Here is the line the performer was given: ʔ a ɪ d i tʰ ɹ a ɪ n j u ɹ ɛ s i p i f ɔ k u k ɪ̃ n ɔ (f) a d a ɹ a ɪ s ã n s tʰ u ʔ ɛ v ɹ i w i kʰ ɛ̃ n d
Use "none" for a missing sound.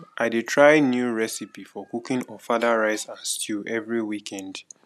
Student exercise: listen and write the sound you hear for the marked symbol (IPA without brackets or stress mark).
f